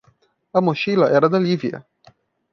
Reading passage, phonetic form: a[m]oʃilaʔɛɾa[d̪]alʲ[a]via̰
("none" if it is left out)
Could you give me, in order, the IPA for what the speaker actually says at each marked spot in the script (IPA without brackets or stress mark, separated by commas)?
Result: m, d̪, i